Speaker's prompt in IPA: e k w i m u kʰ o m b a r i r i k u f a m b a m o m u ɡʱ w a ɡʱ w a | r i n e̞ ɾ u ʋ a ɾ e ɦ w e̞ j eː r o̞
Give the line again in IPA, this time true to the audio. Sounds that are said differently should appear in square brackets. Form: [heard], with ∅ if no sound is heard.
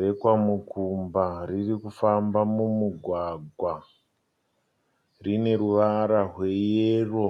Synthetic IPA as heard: e k w [a] m u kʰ [u] m b a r i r i k u f a m b a m [u] m u ɡʱ w a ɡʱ w a | r i n e̞ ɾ u ʋ a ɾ [a] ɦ w e̞ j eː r o̞